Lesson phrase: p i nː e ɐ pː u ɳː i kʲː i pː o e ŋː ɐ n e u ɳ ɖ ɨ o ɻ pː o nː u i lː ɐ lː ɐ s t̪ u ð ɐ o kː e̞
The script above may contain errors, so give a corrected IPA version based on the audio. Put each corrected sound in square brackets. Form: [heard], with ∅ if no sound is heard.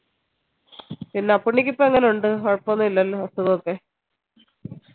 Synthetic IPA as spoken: p i nː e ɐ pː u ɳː i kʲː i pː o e ŋː ɐ n e u ɳ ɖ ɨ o ɻ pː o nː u i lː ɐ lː ɐ s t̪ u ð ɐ o kː e̞